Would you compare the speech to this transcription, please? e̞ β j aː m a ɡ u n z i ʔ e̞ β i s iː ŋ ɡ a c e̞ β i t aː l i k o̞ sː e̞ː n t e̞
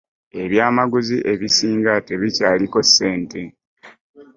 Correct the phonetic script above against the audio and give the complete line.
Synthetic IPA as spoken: e̞ β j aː m a ɡ u z i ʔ e̞ β i s iː ŋ ɡ a t e̞ β i c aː l i k o̞ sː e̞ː n t e̞